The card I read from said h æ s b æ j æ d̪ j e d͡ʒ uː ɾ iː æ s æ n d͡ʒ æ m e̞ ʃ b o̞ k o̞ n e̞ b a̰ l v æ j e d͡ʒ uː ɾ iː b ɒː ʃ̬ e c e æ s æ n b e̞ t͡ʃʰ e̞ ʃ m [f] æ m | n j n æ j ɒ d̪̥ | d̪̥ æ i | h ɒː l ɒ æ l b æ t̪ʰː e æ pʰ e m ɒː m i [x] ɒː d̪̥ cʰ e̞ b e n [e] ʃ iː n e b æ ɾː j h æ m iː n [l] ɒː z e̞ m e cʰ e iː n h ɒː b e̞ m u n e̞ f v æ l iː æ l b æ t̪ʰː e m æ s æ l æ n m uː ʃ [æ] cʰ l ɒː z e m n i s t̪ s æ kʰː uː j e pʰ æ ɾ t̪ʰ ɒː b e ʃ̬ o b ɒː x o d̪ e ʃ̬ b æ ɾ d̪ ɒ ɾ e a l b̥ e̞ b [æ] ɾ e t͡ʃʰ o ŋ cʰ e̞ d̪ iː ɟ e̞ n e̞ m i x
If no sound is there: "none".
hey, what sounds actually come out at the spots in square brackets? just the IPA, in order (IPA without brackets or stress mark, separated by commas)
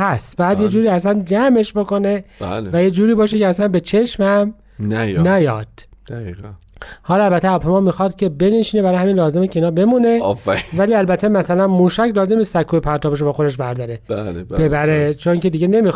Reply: h, x, e, l, æ, æ